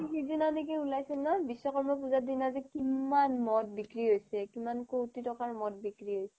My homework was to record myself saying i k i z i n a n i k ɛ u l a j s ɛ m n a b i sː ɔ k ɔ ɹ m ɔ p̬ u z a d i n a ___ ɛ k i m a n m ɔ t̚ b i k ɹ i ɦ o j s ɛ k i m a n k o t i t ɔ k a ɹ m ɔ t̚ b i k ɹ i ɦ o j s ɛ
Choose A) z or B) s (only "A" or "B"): A